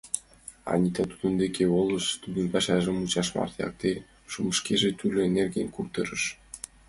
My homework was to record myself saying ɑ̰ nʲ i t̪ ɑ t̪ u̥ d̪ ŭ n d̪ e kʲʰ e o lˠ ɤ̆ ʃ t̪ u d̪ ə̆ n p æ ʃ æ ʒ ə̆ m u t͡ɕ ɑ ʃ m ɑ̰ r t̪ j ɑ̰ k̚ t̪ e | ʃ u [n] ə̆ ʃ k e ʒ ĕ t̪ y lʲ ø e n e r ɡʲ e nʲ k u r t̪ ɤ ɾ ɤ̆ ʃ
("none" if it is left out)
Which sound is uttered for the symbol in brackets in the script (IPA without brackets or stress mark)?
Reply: m